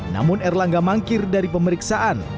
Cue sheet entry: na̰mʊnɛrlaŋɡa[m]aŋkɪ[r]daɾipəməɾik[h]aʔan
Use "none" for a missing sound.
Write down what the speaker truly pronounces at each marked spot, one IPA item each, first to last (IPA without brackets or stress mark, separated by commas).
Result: m, r, s